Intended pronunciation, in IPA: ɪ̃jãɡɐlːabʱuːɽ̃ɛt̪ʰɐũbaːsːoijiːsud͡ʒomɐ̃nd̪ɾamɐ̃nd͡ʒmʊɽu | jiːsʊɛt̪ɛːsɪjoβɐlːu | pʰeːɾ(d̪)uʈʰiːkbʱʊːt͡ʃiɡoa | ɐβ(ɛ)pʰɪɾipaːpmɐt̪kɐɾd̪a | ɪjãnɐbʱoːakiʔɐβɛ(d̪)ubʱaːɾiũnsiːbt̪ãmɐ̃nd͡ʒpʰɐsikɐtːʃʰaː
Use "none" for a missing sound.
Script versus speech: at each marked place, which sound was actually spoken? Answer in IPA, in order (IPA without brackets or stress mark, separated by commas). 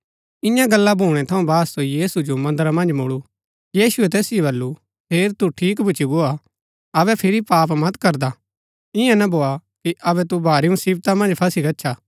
t̪, ɛ, t̪